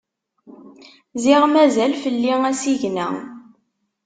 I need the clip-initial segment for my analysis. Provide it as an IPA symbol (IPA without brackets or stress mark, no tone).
z